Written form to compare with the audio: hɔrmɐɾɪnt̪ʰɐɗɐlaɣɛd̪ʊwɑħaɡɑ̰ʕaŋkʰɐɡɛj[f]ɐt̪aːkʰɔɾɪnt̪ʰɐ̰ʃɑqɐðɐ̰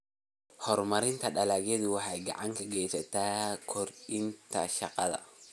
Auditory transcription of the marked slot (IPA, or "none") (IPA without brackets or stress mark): s